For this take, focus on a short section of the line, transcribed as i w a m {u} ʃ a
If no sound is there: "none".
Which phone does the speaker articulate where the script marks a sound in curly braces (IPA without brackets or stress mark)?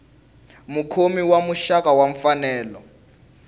u